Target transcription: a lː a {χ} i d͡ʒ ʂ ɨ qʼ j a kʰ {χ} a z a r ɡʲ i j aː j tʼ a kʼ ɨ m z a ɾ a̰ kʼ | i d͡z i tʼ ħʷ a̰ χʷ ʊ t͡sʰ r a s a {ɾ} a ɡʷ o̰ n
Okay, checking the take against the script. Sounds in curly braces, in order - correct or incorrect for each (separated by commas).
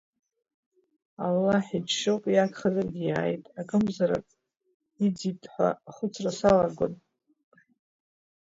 incorrect, correct, incorrect